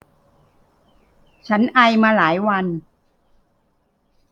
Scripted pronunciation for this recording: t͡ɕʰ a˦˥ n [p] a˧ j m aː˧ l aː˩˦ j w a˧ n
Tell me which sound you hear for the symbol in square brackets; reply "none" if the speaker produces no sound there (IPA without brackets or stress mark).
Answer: ʔ